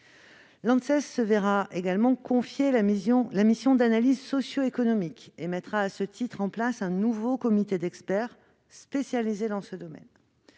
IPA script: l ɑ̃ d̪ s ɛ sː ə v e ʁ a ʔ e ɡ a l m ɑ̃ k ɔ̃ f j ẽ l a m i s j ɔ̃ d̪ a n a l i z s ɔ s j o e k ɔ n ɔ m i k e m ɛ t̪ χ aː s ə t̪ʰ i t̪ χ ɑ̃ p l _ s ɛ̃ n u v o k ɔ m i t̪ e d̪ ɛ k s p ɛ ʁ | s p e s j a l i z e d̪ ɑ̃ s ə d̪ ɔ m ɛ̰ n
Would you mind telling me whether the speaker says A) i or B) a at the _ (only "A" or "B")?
B